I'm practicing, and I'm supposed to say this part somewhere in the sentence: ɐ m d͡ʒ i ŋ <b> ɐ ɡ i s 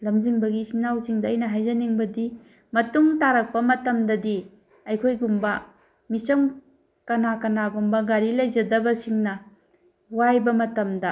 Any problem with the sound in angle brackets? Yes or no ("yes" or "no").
no